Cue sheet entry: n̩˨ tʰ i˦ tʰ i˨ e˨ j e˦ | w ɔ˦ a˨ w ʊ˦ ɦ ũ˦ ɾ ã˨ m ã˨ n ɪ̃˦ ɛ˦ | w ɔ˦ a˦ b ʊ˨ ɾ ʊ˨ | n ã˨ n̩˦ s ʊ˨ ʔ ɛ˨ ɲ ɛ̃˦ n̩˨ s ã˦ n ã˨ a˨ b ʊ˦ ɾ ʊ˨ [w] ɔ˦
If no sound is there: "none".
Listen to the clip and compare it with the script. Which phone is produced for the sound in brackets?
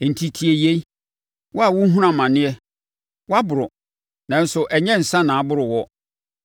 w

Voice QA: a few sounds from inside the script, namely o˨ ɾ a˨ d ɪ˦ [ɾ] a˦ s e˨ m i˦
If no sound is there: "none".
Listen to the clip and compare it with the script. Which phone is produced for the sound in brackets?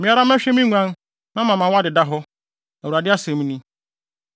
none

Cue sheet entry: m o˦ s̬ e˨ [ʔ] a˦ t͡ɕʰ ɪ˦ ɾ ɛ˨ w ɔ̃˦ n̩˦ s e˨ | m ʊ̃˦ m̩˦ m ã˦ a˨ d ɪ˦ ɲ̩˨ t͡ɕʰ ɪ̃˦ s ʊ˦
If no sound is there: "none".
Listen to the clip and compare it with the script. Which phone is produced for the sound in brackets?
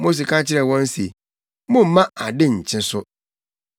k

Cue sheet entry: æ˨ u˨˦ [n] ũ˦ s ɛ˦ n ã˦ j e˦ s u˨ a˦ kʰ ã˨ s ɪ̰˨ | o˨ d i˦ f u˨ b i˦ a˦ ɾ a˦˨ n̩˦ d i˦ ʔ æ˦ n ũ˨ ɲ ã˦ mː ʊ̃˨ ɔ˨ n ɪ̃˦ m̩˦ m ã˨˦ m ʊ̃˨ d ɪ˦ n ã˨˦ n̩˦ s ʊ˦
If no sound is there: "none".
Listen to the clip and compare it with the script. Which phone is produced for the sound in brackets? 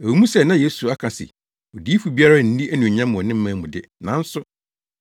m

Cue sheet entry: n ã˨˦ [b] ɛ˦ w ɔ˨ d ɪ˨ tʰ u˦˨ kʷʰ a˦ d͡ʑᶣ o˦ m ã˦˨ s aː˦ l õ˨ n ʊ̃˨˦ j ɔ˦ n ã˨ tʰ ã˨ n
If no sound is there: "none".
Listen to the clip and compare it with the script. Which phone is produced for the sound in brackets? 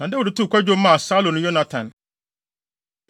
d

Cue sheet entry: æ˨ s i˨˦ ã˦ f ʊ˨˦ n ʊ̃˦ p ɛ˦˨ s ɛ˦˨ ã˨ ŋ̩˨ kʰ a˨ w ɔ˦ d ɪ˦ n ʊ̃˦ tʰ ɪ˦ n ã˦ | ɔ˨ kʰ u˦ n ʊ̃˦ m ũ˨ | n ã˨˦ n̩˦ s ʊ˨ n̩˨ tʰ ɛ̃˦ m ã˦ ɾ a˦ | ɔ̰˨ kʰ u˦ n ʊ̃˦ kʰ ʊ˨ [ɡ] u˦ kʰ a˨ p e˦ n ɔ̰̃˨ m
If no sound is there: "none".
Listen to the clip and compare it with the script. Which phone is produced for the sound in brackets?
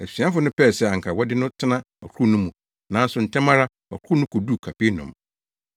d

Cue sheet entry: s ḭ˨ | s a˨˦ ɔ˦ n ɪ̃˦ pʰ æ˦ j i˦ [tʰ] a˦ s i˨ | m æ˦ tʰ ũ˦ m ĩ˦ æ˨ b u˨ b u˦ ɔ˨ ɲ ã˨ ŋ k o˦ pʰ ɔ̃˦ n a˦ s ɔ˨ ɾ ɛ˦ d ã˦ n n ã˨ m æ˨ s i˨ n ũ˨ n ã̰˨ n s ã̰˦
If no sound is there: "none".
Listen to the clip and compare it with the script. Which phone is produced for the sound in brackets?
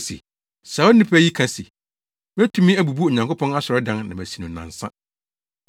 kʰ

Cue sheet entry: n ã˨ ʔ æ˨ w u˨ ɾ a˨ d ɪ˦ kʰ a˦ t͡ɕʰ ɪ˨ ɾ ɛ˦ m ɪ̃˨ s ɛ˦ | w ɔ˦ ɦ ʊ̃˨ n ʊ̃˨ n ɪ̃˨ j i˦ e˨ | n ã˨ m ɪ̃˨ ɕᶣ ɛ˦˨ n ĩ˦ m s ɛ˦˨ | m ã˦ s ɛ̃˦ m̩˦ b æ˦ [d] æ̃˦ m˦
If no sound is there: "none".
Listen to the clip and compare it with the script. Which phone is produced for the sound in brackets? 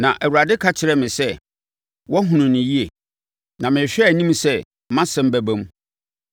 b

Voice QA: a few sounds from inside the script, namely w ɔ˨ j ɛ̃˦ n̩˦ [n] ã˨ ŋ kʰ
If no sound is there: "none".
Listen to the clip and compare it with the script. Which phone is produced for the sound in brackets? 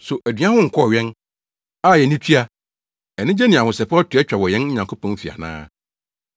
ɲ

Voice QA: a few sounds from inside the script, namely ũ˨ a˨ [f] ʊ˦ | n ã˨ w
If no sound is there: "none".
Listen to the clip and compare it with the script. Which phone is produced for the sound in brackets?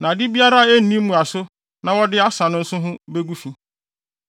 s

